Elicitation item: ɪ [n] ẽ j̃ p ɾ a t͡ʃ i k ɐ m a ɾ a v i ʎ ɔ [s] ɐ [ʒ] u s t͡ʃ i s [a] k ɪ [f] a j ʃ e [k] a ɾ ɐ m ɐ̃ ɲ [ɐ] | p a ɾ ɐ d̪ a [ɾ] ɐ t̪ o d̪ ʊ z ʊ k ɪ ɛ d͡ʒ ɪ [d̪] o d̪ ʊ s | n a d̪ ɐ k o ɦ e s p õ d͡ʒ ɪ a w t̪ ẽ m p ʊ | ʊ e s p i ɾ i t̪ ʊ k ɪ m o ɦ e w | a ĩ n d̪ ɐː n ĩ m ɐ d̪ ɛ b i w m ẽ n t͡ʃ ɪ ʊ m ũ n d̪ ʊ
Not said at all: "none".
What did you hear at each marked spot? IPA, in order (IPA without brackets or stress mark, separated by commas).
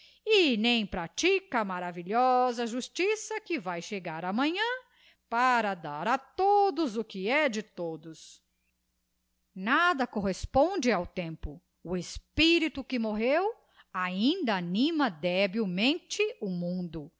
n, z, ʒ, ɐ, v, ɡ, ɐ̃, ɾ, t̪